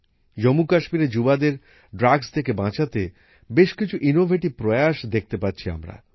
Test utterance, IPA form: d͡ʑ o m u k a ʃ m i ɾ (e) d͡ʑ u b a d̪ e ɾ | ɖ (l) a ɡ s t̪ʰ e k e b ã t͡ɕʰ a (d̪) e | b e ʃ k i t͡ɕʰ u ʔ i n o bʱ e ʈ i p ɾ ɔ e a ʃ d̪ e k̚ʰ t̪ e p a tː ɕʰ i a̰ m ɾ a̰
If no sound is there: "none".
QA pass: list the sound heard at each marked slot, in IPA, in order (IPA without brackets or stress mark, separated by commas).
e, ɾ, t̪